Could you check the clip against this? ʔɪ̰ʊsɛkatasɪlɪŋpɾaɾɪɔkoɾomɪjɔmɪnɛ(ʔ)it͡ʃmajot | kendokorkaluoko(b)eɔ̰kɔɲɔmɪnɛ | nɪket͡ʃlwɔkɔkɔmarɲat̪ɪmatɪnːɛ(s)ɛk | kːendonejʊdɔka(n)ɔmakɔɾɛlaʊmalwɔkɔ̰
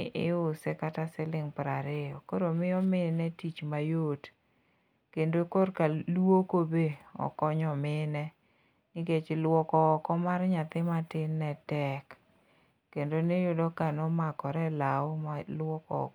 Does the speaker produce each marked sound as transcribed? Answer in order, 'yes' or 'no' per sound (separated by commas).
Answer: no, yes, no, yes